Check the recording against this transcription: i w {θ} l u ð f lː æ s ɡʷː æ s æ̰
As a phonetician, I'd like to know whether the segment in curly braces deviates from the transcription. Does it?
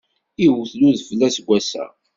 no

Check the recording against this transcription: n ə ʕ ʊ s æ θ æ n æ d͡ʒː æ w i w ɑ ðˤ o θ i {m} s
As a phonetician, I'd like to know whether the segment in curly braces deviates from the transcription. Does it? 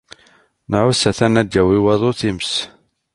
no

